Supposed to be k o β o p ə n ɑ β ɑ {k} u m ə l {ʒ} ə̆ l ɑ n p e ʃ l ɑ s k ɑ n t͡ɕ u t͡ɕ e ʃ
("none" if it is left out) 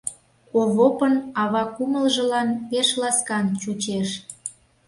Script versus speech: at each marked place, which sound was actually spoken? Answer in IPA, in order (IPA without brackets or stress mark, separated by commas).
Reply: k, ʒ